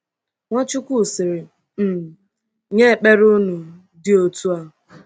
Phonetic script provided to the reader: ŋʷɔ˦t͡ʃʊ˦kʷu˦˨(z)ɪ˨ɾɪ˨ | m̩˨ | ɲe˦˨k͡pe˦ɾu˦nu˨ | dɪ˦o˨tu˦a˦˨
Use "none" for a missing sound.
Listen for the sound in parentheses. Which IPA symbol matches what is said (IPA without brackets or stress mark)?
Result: s